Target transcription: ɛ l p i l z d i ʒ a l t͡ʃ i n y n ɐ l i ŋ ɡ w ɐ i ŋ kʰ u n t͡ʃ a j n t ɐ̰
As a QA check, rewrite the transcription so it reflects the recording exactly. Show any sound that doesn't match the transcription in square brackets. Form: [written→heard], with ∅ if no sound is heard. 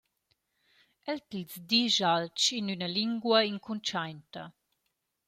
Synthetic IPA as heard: ɛ l [p→t] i l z d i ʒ a l t͡ʃ i n y n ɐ l i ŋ ɡ w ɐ i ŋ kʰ u n t͡ʃ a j n t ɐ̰